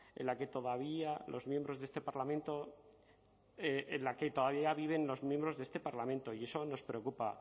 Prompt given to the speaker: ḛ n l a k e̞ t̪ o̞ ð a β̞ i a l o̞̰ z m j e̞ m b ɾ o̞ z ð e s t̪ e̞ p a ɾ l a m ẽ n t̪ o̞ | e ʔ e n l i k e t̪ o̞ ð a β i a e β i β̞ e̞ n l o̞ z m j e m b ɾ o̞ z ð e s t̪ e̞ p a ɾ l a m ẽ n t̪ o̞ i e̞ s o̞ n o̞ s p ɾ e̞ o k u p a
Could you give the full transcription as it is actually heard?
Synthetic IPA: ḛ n l a k e̞ t̪ o̞ ð a β̞ i a l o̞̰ z m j e̞ m b ɾ o̞ z ð e s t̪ e̞ p a ɾ l a m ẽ n t̪ o̞ | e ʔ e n l a k e t̪ o̞ ð a β i a a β i β̞ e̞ n l o̞ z m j e m b ɾ o̞ z ð e s t̪ e̞ p a ɾ l a m ẽ n t̪ o̞ i e̞ s o̞ n o̞ s p ɾ e̞ o k u p a

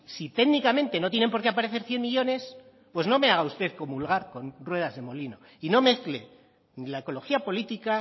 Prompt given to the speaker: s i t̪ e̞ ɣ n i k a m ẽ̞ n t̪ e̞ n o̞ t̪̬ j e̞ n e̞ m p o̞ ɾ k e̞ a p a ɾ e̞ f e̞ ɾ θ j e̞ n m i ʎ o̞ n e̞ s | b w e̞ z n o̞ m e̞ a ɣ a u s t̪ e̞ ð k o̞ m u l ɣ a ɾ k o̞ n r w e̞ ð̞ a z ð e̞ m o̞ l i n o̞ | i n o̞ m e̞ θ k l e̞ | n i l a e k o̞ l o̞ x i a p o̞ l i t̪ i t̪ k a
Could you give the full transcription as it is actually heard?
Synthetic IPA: s i t̪ e̞ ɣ n i k a m ẽ̞ n t̪ e̞ n o̞ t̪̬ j e̞ n e̞ m p o̞ ɾ k e̞ a p a ɾ e̞ θ e̞ ɾ θ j e̞ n m i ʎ o̞ n e̞ s | p w e̞ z n o̞ m e̞ a ɣ a u s t̪ e̞ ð k o̞ m u l ɣ a ɾ k o̞ n r w e̞ ð̞ a z ð e̞ m o̞ l i n o̞ | i n o̞ m e̞ θ k l e̞ | n i l a e k o̞ l o̞ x i a p o̞ l i t̪ i k a

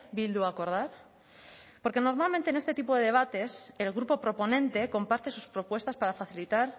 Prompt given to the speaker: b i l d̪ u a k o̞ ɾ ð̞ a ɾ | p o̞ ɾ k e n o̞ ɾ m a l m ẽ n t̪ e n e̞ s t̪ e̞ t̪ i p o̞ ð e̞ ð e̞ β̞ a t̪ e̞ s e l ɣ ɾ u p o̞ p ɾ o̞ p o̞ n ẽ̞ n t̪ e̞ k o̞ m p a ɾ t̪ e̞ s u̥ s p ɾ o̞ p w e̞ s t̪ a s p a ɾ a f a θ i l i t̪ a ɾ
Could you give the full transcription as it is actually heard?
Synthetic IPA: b i l d̪ u a k o̞ ɾ ð̞ a ɾ | p o̞ ɾ k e n o̞ ɾ m a l m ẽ n t̪ e n e̞ s t̪ e̞ t̪ i p o̞ ð e̞ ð e̞ β̞ a t̪ e̞ s e l ɣ ɾ u p o̞ p ɾ o̞ p o̞ n ẽ̞ n t̪ e̞ k o̞ m p a ɾ t̪ e̞ s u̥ s p ɾ o̞ p w e̞ s t̪ a s p a ɾ a f a θ i l i t̪ a ɾ

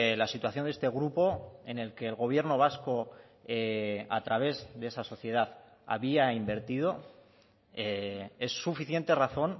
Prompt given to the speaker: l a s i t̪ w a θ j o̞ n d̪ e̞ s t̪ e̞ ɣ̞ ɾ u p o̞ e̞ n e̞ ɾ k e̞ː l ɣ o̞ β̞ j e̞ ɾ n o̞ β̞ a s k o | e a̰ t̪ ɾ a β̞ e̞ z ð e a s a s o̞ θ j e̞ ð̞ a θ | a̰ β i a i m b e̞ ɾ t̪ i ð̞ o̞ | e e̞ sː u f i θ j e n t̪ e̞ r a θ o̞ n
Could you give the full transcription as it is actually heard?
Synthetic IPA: l a s i t̪ w a θ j o̞ n d̪ e̞ s t̪ e̞ ɣ̞ ɾ u p o̞ e̞ n e̞ l k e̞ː l ɣ o̞ β̞ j e̞ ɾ n o̞ β̞ a s k o | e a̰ t̪ ɾ a β̞ e̞ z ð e e s a s o̞ θ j e̞ ð̞ a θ | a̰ β i a i m b e̞ ɾ t̪ i ð̞ o̞ | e e̞ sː u f i θ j e n t̪ e̞ r a θ o̞ n

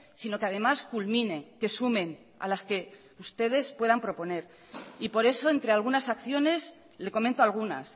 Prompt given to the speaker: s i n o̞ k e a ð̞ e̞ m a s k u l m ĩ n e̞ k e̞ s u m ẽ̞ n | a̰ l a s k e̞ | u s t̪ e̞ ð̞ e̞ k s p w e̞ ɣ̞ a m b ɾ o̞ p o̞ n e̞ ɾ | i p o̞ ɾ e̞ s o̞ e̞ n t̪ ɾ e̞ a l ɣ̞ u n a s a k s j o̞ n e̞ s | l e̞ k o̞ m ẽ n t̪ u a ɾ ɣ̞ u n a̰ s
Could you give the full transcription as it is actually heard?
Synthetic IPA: s i n o̞ k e a ð̞ e̞ m a s k u l m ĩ n e̞ k e̞ s u m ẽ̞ n | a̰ l a s k e̞ | u s t̪ e̞ ð̞ e̞ s p w e̞ ð̞ a m p ɾ o̞ p o̞ n e̞ ɾ | i p o̞ ɾ e̞ s o̞ e̞ n t̪ ɾ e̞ a l ɣ̞ u n a s a k θ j o̞ n e̞ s | l e̞ k o̞ m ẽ n t̪ o a l ɣ̞ u n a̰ s

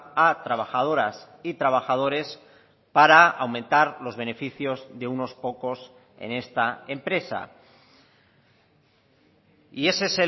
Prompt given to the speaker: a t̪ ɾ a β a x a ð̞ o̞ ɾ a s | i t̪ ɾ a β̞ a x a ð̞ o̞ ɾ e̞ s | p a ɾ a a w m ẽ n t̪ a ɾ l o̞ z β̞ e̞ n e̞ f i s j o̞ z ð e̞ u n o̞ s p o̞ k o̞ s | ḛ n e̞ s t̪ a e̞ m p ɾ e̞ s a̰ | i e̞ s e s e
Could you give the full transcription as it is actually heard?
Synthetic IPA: a t̪ ɾ a β a x a ð̞ o̞ ɾ a s | i t̪ ɾ a β̞ a x a ð̞ o̞ ɾ e̞ s | p a ɾ a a w m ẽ n t̪ a ɾ l o̞ z β̞ e̞ n e̞ f i θ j o̞ z ð e̞ u n o̞ s p o̞ k o̞ s | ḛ n e̞ s t̪ a e̞ m p ɾ e̞ s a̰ | i e̞ s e s e

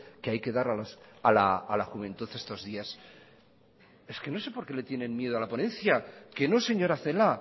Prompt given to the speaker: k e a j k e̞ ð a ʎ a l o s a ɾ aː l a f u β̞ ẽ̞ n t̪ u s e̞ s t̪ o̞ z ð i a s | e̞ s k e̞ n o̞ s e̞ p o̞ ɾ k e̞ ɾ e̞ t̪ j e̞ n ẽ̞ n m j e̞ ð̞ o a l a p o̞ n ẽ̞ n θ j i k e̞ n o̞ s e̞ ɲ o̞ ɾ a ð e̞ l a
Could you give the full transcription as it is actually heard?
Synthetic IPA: k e a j k e̞ ð a ɾ a l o s a l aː l a x u β̞ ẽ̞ n t̪ u θ e̞ s t̪ o̞ z ð i a s | e̞ s k e̞ n o̞ s e̞ p o̞ ɾ k e̞ l e̞ t̪ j e̞ n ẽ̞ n m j e̞ ð̞ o a l a p o̞ n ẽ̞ n θ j a k e̞ n o̞ s e̞ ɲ o̞ ɾ a θ e̞ l a

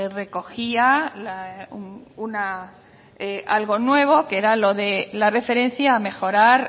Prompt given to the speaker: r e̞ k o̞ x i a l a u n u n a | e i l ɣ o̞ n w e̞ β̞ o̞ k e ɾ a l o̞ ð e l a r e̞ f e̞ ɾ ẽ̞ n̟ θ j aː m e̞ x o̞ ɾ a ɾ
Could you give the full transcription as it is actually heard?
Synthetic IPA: r e̞ k o̞ x i a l a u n u n a | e a l ɣ o̞ n w e̞ β̞ o̞ k e ɾ a l o̞ ð e l a r e̞ f e̞ ɾ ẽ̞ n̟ θ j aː m e̞ x o̞ ɾ a ɾ

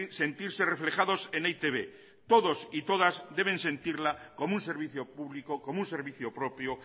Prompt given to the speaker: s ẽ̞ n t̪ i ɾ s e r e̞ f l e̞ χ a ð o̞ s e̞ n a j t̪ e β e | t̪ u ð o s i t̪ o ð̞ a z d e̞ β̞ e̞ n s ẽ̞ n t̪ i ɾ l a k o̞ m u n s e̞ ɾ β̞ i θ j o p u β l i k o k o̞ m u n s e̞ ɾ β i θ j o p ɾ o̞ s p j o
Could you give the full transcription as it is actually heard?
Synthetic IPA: s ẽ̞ n t̪ i ɾ s e r e̞ f l e̞ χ a ð o̞ s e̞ n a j t̪ e β e | t̪ o ð o s i t̪ o ð̞ a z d e̞ β̞ e̞ n s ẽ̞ n t̪ i ɾ l a k o̞ m u n s e̞ ɾ β̞ i θ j o p u β l i k o k o̞ m u n s e̞ ɾ β i θ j o p ɾ o̞ p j o

